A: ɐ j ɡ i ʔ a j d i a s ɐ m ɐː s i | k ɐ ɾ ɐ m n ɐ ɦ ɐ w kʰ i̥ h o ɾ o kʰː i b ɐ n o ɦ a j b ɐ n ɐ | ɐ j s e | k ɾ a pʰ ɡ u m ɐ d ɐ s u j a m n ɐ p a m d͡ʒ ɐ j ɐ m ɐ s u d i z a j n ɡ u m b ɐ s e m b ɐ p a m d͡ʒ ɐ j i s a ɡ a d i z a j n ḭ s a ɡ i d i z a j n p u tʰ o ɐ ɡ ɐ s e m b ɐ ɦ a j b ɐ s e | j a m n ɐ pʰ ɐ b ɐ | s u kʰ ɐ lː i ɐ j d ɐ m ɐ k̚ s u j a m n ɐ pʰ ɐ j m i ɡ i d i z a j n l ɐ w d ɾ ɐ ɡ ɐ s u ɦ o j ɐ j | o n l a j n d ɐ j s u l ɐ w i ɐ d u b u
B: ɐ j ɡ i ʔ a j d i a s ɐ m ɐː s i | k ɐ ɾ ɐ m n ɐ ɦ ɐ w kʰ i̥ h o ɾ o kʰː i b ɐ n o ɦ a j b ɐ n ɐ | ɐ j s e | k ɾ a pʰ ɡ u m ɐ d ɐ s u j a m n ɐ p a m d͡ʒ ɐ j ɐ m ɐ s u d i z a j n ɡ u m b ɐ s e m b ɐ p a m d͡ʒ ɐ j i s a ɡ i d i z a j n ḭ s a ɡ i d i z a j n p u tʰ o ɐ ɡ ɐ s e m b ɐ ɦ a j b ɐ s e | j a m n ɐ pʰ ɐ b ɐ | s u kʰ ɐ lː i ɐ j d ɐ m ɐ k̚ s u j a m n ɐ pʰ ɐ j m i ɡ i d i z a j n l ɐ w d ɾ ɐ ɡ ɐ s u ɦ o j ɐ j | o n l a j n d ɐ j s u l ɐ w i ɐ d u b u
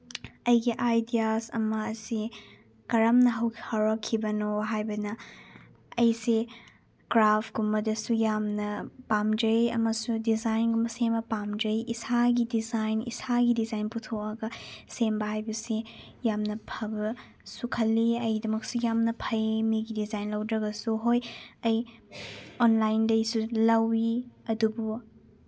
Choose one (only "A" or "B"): B